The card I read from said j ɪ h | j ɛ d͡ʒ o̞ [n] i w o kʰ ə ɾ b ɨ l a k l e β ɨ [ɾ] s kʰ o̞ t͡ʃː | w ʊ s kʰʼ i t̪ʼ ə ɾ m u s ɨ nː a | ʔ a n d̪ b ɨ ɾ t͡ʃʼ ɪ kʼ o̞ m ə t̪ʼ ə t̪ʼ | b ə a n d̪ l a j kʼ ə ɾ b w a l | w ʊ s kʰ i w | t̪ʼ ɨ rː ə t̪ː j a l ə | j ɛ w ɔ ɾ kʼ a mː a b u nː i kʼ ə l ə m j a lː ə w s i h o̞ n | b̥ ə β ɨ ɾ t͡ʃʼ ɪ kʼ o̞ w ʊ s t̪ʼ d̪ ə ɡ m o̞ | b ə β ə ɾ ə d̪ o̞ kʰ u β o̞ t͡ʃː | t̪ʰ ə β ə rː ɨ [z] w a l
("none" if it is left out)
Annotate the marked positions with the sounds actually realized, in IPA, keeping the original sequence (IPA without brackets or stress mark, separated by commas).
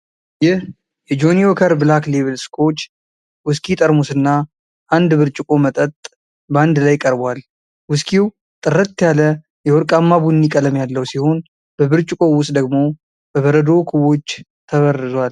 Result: n, l, z